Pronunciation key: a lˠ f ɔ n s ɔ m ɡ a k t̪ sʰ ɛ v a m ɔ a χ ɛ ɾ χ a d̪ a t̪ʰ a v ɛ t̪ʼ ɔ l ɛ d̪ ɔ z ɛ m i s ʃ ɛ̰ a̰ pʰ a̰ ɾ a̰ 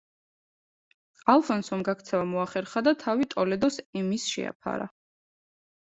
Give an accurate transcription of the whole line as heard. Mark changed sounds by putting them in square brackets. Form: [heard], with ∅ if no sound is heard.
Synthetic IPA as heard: a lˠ f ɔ n s ɔ m ɡ a k t̪ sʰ ɛ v a m ɔ a χ ɛ ɾ χ a d̪ a t̪ʰ a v [i] t̪ʼ ɔ l ɛ d̪ ɔ [s] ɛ m i s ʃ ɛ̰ a̰ pʰ a̰ ɾ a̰